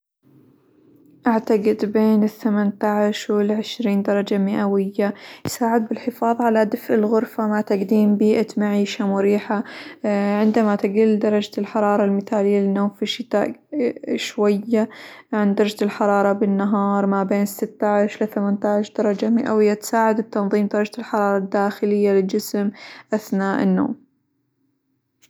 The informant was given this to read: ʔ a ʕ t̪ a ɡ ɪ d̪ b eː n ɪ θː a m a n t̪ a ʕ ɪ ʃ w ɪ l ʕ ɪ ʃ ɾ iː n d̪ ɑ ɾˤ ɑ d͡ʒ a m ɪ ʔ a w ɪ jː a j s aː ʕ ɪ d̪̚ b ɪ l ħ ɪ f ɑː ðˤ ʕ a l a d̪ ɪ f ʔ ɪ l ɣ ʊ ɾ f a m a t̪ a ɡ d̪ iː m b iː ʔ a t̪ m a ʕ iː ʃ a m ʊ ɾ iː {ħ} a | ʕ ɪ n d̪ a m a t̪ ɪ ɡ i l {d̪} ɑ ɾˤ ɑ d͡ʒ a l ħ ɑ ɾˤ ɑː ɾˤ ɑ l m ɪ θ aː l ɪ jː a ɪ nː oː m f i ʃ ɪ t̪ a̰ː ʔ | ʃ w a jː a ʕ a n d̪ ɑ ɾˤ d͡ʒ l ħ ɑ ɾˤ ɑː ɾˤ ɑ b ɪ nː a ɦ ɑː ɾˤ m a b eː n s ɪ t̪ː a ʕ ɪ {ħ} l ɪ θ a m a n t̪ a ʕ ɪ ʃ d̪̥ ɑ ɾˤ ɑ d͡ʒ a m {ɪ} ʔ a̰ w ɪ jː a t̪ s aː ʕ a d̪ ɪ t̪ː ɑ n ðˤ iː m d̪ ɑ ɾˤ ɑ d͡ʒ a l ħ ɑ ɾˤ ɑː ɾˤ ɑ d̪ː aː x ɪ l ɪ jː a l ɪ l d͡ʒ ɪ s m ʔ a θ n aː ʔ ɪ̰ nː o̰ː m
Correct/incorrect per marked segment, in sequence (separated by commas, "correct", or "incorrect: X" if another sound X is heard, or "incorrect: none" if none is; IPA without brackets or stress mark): correct, correct, incorrect: ʃ, correct